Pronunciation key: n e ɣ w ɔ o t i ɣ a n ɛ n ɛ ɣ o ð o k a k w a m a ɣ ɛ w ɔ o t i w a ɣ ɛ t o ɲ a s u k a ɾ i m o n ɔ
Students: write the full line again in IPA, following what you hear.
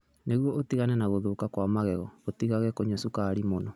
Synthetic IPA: n e ɣ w ɔ o t i ɣ a n ɛ n a ɣ o ð o k a k w a m a ɣ ɛ ɣ ɔ o t i ɣ a ɣ ɛ k o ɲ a s u k a ɾ i m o n ɔ